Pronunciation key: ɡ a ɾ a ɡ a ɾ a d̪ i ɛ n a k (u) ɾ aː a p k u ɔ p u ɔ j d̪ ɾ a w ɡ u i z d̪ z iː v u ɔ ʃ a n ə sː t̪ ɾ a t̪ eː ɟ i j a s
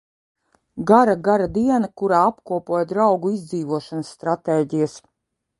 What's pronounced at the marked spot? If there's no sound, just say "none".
u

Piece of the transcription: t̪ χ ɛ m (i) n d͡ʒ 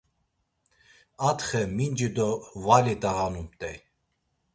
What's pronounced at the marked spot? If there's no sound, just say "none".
i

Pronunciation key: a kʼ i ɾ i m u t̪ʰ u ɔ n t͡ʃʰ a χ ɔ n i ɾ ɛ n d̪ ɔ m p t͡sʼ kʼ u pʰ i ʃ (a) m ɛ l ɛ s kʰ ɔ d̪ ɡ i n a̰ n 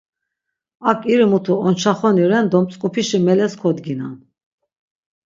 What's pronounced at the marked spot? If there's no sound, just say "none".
i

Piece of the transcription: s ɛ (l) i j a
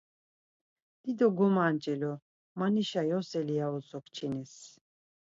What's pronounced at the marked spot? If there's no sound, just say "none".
l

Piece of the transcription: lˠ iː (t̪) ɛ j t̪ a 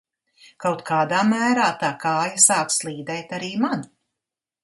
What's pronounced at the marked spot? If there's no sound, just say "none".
d̪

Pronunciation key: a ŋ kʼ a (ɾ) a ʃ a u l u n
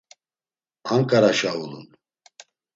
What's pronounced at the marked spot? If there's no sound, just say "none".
ɾ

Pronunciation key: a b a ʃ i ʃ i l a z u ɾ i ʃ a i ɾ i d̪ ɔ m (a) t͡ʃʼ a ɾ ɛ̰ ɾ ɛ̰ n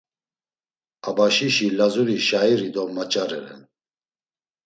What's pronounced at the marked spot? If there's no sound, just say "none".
a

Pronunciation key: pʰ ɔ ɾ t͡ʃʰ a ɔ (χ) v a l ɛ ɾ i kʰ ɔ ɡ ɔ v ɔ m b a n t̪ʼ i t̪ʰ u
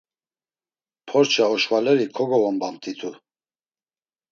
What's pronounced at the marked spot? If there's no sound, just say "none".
ʃ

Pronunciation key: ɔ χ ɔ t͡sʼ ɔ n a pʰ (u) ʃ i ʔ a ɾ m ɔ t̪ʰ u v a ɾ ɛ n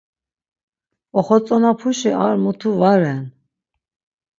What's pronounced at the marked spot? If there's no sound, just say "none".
u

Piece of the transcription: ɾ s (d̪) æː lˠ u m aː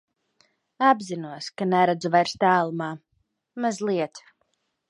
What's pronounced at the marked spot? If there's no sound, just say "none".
t̪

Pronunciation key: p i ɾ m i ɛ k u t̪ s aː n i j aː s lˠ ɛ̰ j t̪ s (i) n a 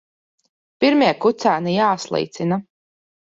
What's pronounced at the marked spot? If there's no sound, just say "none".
i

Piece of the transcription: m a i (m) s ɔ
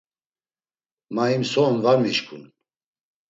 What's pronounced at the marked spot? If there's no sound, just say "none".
m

